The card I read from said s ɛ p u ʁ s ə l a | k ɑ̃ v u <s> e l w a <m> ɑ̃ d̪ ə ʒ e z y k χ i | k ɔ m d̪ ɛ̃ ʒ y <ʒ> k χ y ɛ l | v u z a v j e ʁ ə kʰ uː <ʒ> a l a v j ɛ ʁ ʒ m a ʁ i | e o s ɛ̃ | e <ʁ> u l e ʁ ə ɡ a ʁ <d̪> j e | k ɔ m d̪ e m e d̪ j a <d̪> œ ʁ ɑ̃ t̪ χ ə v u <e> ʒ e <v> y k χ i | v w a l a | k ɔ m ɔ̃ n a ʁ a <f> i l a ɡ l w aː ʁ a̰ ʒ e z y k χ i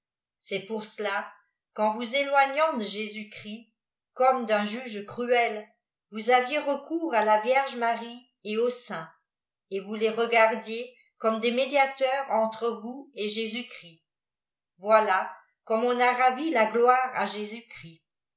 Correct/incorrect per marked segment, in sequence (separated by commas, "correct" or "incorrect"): incorrect, incorrect, correct, incorrect, incorrect, correct, incorrect, correct, incorrect, incorrect